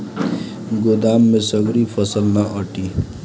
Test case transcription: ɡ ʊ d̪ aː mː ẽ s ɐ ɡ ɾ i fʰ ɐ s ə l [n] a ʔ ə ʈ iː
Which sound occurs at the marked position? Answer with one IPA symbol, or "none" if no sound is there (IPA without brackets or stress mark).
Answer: n